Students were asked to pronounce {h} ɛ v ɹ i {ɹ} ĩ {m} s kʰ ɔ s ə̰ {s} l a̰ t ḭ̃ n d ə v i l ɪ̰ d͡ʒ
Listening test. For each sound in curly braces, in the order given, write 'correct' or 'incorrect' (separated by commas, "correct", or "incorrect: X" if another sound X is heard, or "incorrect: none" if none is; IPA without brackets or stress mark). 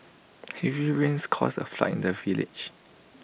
correct, correct, incorrect: n, incorrect: f